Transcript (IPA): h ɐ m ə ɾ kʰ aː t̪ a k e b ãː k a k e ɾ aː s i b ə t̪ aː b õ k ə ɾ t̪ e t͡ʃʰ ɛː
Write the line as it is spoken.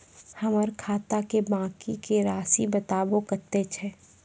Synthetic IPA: h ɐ m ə ɾ kʰ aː t̪ a k e b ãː k i k e ɾ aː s i b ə t̪ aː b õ k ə ɾ t̪ e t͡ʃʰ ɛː

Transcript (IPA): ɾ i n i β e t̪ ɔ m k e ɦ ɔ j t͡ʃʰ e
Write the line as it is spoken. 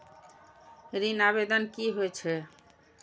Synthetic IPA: ɾ i n a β e d̪ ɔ n k i ɦ o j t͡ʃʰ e

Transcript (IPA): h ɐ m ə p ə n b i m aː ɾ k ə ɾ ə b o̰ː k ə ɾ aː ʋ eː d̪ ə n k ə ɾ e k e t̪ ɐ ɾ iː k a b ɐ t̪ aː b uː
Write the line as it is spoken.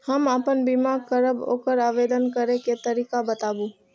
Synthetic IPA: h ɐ m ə p ə n b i m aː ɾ k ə ɾ ə b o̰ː k ə ɾ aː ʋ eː d̪ ə n k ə ɾ e k e t̪ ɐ ɾ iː k a b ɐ t̪ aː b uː

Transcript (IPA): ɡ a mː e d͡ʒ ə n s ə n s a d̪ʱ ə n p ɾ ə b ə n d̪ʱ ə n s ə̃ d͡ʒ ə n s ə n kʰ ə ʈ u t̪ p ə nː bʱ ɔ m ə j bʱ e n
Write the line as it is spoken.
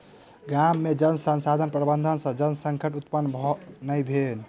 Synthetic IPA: ɡ a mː e d͡ʒ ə n s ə n s a d̪ʱ ə n p ɾ ə b ə n d̪ʱ ə n s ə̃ d͡ʒ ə n s ə ŋ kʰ ə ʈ u t̪ p ə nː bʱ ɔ n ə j bʱ e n

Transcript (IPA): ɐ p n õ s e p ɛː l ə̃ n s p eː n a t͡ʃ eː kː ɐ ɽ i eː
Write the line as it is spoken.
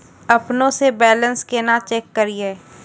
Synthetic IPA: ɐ p n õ s e b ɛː l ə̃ n s k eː n a t͡ʃ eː kː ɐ ɾ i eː

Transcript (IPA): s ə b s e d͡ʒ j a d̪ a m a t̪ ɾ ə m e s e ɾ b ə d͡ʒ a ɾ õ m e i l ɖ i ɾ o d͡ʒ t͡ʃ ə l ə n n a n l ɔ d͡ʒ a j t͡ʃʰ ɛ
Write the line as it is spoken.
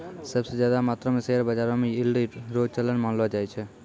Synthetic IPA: s ə b s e d͡ʒ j a d̪ a m a t̪ ɾ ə m e s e ɾ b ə d͡ʒ a ɾ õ m e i l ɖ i ɾ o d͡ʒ t͡ʃ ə l ə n m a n l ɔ d͡ʒ a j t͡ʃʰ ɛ

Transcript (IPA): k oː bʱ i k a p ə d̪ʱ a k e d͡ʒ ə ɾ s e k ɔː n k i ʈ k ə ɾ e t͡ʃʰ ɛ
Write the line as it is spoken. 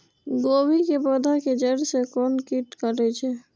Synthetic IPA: ɡ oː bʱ i k e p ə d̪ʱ a k e d͡ʒ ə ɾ s e k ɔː n k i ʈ k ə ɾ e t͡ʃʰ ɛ

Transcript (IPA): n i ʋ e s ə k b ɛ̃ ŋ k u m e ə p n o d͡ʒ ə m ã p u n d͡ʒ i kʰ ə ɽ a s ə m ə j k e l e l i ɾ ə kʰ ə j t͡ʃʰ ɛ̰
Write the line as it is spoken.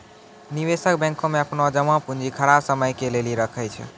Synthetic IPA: n i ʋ e s ə k b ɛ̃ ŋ k o m e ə p n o d͡ʒ ə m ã p u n d͡ʒ i kʰ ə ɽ a s ə m ə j k e l e l i ɾ ə kʰ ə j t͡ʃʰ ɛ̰

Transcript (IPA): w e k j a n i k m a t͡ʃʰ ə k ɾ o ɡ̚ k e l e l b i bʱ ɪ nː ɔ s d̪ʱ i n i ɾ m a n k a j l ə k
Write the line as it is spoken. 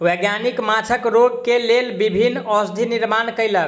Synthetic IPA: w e ɡ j a n i k m a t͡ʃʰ ə k ɾ o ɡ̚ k e l e l b i bʱ i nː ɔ s d̪ʱ i n i ɾ m a n k ə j l ə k

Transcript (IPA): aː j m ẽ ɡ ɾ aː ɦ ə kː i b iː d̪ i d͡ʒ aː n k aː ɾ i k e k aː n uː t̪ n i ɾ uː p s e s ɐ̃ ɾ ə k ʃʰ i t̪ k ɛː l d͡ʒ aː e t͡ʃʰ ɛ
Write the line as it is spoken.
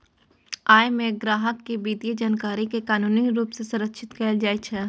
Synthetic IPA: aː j m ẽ ɡ ɾ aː ɦ ə kː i b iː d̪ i d͡ʒ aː n k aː ɾ i k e k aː n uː n i ɾ uː p s e s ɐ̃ ɾ ə k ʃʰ ɪ t̪ k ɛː l d͡ʒ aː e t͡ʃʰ ɛ

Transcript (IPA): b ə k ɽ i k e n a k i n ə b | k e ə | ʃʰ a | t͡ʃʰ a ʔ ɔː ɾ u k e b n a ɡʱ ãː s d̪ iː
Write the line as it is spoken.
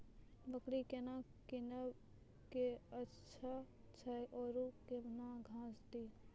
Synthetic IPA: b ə k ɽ i k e n a k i n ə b | k e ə | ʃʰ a | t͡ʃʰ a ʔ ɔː ɾ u k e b n a ɡʱ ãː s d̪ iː

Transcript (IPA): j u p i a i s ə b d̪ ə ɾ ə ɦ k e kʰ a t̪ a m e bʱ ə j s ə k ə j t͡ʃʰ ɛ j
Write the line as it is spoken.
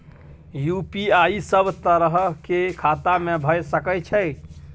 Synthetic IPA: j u p i a i s ə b t̪ ə ɾ ə ɦ k e kʰ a t̪ a m e bʱ ə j s ə k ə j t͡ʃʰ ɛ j

